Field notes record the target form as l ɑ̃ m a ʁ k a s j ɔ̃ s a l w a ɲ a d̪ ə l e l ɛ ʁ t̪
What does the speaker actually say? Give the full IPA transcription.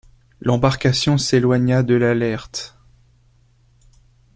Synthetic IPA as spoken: l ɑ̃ b a ʁ k a s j ɔ̃ s e l w a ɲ a d̪ ə l a l ɛ ʁ t̪